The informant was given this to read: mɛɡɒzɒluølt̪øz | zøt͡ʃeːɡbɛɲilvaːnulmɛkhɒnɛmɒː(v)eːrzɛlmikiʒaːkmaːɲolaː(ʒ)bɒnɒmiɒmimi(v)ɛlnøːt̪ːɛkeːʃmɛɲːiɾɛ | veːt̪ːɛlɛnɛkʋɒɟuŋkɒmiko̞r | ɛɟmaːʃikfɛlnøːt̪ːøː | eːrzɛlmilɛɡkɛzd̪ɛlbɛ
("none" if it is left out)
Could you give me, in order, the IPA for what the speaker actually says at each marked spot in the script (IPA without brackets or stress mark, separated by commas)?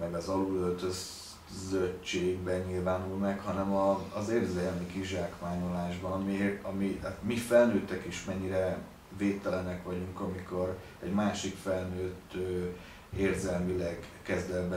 z, ʒ, f